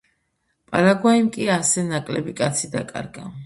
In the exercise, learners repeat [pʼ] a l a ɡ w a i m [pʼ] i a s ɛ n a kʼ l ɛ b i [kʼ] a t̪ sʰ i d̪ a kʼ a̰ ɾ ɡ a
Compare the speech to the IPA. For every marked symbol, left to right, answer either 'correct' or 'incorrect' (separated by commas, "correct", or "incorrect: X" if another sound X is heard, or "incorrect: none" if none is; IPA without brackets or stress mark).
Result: correct, incorrect: kʼ, correct